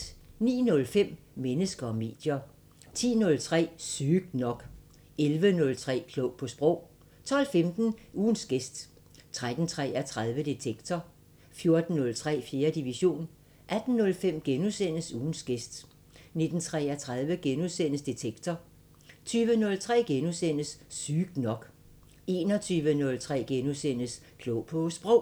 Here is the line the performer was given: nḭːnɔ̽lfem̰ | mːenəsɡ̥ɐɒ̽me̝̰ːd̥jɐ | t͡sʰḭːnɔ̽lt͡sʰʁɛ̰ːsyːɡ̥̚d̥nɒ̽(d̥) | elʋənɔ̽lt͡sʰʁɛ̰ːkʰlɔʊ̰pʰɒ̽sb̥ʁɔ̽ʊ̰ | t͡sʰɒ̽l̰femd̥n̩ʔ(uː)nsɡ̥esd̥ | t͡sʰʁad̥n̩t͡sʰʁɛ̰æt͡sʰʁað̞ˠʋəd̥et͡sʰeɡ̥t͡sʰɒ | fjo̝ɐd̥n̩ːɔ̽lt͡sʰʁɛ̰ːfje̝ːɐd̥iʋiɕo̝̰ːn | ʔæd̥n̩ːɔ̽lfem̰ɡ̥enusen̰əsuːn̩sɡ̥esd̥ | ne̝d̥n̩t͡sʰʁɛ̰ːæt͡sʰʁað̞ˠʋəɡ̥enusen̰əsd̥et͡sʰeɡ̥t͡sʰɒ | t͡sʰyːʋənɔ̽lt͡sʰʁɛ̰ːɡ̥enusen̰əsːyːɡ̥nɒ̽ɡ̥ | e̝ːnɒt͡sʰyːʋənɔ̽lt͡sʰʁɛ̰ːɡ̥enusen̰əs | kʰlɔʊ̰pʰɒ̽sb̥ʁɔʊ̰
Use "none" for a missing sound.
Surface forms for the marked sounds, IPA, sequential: ɡ̥, uː

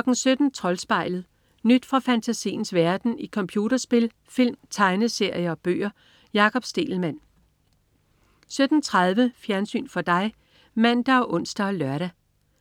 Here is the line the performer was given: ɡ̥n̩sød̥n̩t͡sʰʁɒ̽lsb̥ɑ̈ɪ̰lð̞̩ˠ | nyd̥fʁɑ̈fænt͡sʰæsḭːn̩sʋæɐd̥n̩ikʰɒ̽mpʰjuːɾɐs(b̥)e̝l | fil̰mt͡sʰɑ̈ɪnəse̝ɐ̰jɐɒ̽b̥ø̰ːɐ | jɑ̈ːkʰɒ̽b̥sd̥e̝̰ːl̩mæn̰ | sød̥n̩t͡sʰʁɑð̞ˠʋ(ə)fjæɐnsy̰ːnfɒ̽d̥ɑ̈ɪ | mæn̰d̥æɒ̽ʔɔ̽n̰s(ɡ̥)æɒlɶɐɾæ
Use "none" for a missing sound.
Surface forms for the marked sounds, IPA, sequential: b̥, ə, d̥

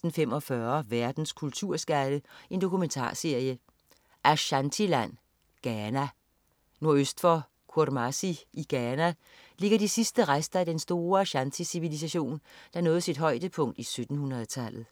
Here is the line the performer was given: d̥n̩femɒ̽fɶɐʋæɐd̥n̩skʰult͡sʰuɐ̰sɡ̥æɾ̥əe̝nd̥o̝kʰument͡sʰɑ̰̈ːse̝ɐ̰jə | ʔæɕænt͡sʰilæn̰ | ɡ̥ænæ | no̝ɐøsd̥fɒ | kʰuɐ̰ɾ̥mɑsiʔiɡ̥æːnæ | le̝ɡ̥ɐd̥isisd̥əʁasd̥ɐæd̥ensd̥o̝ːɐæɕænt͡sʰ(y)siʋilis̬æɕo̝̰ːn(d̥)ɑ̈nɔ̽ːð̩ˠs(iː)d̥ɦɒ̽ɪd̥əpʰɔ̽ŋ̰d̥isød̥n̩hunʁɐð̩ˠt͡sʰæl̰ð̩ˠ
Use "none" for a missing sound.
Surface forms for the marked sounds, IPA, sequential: i, d̥, i

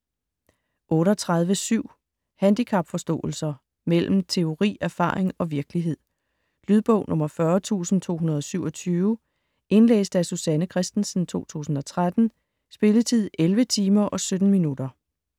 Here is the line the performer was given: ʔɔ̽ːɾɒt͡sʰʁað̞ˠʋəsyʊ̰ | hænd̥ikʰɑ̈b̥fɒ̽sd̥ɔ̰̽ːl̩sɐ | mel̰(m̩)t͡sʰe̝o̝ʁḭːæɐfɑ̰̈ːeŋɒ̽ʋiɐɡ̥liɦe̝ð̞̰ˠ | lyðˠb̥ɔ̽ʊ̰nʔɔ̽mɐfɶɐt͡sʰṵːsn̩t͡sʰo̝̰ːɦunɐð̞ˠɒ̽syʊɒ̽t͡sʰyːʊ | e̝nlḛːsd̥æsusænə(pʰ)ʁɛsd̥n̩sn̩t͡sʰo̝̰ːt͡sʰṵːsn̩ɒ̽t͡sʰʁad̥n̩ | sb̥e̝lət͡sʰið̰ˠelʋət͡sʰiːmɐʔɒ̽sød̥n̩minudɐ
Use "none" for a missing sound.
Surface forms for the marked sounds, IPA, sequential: m̩, kʰ

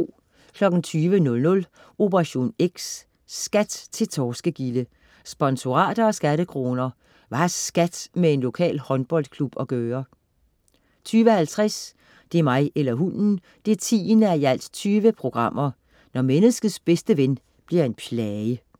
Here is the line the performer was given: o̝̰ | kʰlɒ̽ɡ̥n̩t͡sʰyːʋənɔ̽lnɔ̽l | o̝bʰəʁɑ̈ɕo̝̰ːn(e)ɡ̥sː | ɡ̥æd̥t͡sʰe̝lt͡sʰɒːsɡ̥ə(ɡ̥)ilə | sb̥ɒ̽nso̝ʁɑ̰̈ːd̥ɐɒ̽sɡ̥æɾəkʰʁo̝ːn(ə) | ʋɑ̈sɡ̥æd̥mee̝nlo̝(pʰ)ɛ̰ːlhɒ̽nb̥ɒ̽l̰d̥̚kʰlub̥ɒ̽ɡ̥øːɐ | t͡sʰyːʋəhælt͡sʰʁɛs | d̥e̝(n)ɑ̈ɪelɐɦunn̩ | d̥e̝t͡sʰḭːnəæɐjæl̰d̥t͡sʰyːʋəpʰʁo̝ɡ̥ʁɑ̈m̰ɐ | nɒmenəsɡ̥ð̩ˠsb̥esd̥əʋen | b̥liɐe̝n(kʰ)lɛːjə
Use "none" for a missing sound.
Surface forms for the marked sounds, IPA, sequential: e, ɡ̥, ɐ, kʰ, m, pʰ

